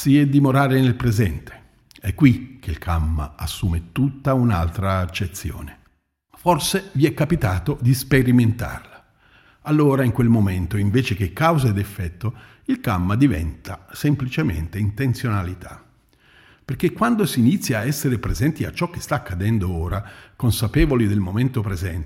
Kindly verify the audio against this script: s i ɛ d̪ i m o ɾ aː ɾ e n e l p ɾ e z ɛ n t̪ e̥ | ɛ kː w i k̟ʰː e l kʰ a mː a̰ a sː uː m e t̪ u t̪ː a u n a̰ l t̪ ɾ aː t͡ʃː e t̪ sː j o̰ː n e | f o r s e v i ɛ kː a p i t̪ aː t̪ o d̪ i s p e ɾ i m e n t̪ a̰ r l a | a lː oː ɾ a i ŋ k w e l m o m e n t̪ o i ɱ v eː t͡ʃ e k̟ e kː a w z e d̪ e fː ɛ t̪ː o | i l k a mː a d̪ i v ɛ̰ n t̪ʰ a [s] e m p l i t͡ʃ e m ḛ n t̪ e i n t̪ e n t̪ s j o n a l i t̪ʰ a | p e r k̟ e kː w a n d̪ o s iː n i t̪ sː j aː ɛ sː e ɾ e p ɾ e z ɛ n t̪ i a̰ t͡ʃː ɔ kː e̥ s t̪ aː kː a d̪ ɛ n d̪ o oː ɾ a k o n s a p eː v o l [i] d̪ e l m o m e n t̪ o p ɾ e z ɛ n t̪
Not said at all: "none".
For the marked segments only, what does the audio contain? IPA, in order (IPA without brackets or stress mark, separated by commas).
s, i